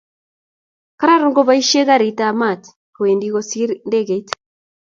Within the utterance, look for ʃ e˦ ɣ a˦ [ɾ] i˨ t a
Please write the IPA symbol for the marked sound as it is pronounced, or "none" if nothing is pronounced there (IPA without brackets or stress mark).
ɾ